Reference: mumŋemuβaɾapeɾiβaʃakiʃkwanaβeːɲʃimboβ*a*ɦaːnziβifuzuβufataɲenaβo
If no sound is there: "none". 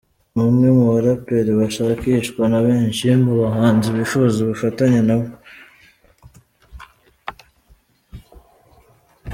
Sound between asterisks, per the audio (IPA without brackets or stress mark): a